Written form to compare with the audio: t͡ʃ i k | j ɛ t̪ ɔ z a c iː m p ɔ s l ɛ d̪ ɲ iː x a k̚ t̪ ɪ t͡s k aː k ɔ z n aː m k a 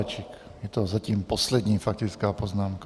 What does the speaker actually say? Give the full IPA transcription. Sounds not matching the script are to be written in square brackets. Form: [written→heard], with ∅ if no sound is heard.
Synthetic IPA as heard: t͡ʃ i k | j ɛ t̪ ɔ z a c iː m p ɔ s l ɛ d̪ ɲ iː [x→f] a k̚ t̪ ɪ t͡s k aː [k→p] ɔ z n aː m k a